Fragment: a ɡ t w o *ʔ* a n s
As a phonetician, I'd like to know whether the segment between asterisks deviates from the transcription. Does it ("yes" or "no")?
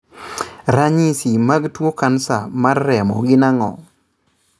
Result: yes